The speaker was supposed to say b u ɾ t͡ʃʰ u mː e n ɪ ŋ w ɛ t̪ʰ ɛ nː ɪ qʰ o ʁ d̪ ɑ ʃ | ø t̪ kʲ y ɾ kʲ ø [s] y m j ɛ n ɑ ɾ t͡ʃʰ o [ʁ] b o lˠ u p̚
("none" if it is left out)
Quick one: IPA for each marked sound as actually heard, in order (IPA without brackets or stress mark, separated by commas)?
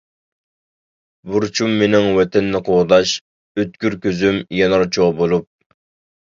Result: z, ʁ